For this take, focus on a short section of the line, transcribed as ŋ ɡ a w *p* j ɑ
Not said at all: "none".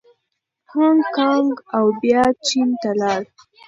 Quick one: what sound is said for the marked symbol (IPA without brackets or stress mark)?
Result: b